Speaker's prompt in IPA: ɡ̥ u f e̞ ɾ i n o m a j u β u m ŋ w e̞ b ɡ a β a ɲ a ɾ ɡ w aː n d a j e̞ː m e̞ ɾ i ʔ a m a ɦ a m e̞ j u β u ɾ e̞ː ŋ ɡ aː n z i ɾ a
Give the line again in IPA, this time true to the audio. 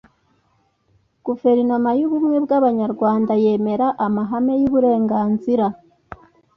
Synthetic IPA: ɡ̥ u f e̞ ɾ i n o m a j u β u m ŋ w e̞ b ɡ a β a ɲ a ɾ ɡ w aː n d a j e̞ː m e̞ ɾ a ʔ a m a ɦ a m e̞ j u β u ɾ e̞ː ŋ ɡ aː n z i ɾ a

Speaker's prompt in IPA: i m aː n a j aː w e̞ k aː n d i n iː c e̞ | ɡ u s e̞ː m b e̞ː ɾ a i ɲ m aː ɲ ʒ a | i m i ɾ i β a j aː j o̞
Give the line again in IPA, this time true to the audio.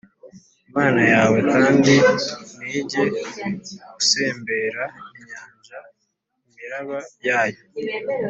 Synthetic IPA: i m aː n a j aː w e̞ k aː n d i n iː ɟ e̞ | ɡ u s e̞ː m b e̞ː ɾ a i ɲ ɲ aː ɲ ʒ a | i m i ɾ a β a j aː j o̞

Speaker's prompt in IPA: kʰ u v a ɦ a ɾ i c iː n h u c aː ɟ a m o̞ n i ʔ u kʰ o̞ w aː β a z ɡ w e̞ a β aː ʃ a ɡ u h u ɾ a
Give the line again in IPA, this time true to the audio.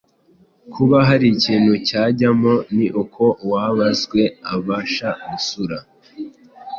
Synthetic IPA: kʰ u β a ɦ a ɾ i c iː n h u c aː ɟ a m o̞ n i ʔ u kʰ o̞ w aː β a z ɡ w e̞ a β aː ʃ a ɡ u s u ɾ a

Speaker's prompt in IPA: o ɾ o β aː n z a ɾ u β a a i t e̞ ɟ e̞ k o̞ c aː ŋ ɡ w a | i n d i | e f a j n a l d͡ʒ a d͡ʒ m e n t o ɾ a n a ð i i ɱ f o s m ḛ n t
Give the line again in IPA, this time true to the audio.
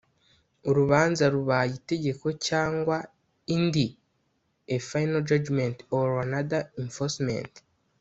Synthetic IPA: o ɾ u β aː n z a ɾ u β a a i t e̞ ɟ e̞ k o̞ c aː ŋ ɡ w a | i n d i | e f a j n a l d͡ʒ a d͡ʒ m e n t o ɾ a n a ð a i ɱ f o s m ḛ n t

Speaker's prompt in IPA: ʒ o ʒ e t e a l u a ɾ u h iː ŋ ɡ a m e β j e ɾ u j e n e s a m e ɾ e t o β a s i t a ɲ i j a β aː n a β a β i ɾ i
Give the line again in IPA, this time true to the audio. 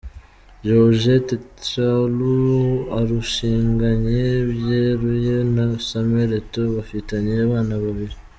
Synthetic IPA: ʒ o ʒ e t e a l u a ɾ u ʃ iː ŋ ɡ a ɲ e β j e ɾ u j e n a s a m e ɾ e t o β a f i t a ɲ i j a β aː n a β a β i ɾ i

